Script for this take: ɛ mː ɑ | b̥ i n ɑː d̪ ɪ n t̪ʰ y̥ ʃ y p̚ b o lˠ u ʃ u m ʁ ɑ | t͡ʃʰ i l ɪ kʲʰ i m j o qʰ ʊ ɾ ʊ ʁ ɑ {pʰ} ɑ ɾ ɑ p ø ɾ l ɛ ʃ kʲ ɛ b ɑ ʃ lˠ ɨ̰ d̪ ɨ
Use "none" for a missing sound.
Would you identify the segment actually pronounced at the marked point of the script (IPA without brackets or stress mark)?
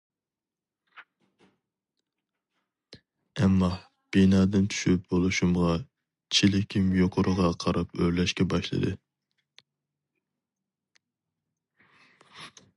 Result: qʰ